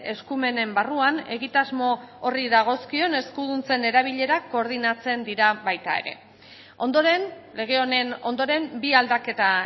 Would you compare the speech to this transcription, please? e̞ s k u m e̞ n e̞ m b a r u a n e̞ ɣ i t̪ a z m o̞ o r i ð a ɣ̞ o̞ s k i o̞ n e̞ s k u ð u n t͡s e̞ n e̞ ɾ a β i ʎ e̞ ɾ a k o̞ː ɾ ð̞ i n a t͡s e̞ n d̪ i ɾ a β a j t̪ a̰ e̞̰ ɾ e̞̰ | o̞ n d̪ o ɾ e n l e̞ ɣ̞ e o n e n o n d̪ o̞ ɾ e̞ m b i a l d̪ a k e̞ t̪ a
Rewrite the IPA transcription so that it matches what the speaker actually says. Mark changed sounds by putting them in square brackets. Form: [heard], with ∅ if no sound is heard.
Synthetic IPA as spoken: e̞ s k u m e̞ n e̞ m b a r u a n e̞ ɣ i t̪ a z m o̞ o r i ð a ɣ̞ o̞ s k i o̞ n e̞ s k u ð u n t͡s e̞ n e̞ ɾ a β i ʎ e̞ ɾ a k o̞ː ɾ ð̞ i n a t͡s e̞ n d̪ i ɾ a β a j t̪ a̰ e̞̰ ɾ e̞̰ | o̞ n d̪ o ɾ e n l e̞ ɣ̞ e o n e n o n d̪ o̞ ɾ e̞ m b i a l d̪ a k e̞ t̪ a